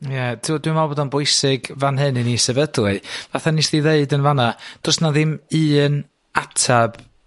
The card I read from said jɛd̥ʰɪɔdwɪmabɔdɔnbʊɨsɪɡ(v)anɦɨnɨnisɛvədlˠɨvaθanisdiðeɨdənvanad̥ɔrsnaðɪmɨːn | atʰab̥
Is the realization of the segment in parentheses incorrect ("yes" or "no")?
no